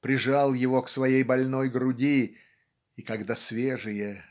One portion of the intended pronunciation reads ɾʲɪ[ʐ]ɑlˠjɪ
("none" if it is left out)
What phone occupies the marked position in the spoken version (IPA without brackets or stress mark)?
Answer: ʐ